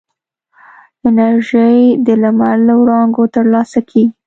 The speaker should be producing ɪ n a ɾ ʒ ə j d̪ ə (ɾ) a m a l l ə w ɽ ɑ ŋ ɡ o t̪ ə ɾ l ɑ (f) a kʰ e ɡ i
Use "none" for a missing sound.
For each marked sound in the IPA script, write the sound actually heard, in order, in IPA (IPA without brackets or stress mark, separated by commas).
l, s